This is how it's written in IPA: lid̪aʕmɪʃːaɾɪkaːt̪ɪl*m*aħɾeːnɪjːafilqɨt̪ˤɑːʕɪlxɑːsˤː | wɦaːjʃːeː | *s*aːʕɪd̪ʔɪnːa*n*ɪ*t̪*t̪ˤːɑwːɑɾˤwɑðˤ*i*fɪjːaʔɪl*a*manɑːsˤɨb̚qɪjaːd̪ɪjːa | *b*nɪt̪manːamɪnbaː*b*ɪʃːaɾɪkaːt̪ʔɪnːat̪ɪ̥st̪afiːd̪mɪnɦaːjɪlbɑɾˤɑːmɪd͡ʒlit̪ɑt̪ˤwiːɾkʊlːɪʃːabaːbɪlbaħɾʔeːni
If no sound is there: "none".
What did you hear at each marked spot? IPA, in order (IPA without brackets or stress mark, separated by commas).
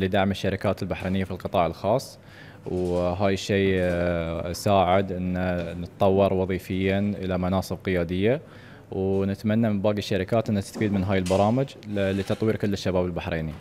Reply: b, s, n, t̪, iː, a, w, ɡ